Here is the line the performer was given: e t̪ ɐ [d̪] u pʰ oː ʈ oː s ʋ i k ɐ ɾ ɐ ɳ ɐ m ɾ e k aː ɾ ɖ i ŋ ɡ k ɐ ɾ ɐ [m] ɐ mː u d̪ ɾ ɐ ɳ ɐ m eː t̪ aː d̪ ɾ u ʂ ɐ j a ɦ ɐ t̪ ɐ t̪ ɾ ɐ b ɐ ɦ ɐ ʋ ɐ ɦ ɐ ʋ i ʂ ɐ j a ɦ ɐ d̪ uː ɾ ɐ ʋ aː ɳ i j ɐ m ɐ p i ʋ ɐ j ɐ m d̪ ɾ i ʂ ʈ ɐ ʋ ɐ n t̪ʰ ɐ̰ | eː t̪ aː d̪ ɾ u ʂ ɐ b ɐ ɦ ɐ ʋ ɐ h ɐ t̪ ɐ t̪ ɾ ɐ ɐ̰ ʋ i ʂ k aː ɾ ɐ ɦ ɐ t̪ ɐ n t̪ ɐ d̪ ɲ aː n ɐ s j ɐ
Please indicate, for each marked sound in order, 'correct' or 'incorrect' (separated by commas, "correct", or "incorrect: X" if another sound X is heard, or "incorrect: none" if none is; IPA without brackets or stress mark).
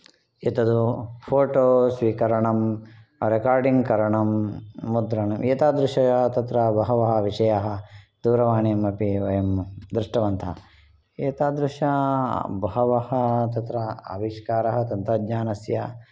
correct, incorrect: ɳ